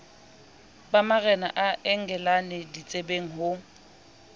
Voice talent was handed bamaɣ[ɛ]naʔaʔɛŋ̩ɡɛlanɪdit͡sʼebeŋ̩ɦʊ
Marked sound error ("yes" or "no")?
no